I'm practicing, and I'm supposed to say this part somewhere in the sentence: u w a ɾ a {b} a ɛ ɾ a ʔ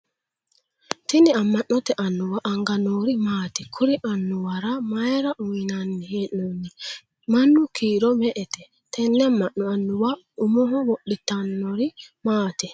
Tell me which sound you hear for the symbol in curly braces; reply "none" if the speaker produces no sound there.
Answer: m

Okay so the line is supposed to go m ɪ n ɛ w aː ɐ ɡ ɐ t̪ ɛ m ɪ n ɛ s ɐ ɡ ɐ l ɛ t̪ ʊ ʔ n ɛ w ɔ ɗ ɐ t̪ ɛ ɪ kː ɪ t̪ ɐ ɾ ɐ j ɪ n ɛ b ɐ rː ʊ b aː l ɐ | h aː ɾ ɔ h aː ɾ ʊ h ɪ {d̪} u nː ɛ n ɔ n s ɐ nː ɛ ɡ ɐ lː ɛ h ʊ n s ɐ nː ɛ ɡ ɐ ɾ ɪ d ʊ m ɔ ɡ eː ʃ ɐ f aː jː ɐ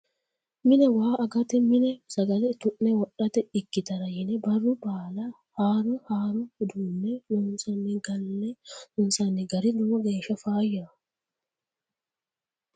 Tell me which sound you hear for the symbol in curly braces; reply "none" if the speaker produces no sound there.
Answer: d̪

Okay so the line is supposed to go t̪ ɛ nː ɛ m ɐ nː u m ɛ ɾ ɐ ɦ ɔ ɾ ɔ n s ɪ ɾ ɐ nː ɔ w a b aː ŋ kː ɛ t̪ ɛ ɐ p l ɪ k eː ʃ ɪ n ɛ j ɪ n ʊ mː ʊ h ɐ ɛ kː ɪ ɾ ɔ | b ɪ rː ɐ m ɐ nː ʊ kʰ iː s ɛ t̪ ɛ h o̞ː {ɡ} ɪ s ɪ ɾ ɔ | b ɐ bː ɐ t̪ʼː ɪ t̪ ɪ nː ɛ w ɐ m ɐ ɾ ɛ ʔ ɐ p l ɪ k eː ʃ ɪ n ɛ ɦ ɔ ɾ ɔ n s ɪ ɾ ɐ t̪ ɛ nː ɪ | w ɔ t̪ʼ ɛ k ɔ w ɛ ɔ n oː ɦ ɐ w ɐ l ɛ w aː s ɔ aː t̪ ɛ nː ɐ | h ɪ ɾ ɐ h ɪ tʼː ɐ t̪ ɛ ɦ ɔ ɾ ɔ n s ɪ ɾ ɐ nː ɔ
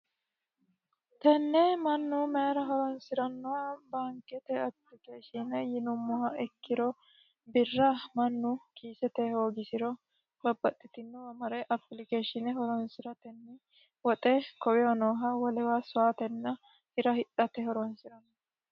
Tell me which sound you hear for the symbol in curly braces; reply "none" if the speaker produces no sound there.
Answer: ɡ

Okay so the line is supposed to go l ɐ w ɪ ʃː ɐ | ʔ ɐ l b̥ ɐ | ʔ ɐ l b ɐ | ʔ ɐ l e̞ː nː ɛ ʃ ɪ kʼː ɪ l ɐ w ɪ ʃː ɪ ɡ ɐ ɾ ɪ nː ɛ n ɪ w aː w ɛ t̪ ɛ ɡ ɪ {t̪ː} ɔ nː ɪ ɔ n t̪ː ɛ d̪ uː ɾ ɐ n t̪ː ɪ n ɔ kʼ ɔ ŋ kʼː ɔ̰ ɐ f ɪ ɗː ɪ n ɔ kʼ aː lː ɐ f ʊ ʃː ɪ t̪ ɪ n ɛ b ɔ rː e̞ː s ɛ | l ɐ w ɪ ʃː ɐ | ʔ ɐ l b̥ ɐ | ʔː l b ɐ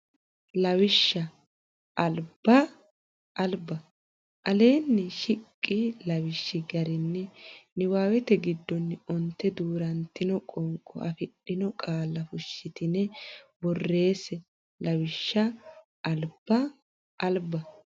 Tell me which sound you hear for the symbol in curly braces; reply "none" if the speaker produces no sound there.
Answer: d̪ː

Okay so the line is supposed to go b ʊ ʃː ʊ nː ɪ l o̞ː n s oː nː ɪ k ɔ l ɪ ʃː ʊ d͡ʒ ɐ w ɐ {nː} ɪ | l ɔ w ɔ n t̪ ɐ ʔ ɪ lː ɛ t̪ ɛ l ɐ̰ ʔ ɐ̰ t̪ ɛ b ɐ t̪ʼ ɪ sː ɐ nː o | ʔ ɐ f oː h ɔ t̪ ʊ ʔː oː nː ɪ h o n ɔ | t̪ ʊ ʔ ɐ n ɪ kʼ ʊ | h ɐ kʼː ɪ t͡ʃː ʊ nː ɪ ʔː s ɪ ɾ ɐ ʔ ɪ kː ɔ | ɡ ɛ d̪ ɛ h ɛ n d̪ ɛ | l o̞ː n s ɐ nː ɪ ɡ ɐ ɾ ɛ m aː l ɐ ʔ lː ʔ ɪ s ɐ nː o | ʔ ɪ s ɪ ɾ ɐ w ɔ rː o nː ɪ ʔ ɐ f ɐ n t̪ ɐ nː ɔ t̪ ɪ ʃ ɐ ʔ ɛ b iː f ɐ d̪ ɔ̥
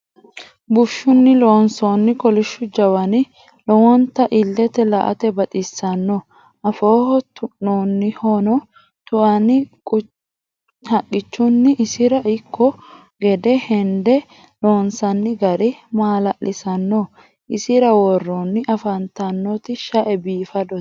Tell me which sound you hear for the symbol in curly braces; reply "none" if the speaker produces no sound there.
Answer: n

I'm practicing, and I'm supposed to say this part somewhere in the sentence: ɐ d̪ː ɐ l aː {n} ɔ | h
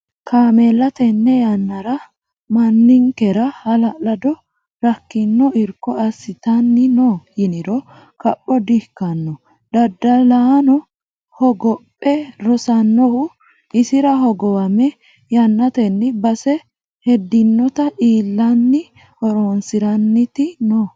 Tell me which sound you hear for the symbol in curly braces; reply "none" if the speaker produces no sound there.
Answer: n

